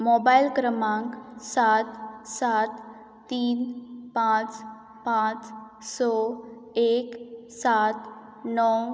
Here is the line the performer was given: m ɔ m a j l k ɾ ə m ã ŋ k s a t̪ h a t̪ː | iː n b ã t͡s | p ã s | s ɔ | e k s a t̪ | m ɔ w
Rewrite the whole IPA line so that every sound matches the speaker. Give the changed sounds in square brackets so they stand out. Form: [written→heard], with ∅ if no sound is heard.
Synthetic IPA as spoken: m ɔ [m→b] a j l k ɾ ə m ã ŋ k s a t̪ [h→s] a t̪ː | iː n [b→p] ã t͡s | p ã [s→t͡s] | s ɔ | e k s a t̪ | [m→n] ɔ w